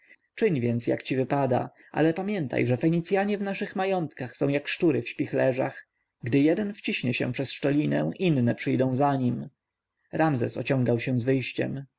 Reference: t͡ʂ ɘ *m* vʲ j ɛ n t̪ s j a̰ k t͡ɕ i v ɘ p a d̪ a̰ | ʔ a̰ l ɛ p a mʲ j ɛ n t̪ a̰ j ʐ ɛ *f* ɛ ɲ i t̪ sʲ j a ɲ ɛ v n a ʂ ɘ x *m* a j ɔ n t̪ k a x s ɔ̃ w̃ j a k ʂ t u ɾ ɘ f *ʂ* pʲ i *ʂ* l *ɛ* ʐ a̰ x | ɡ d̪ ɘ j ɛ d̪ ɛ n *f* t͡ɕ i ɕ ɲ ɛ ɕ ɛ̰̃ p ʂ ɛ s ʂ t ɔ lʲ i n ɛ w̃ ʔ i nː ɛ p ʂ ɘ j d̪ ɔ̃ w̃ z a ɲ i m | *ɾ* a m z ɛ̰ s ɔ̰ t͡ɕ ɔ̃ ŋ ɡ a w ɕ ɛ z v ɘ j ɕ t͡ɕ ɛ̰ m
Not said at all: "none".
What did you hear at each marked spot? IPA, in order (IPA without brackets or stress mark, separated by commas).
ɲ, f, m, ɕ, x, ɛ, f, ɾ